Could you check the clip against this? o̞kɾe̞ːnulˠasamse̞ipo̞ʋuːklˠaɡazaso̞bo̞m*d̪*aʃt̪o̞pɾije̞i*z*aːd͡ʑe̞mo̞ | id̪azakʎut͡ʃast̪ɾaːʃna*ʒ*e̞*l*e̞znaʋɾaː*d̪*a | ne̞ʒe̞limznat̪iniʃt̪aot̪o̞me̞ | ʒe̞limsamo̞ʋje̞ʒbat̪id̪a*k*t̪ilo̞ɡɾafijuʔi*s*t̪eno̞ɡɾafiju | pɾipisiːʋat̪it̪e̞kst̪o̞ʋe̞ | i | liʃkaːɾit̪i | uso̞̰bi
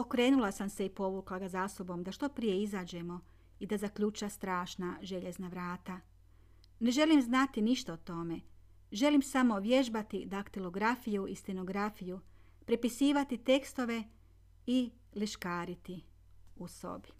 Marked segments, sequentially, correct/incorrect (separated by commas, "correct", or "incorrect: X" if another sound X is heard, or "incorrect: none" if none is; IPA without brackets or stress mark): correct, correct, correct, incorrect: ʎ, incorrect: t̪, correct, correct